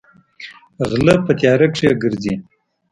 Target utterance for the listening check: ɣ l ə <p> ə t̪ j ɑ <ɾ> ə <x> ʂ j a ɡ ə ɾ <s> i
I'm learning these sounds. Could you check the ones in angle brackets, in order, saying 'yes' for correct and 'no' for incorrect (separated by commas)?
yes, yes, no, no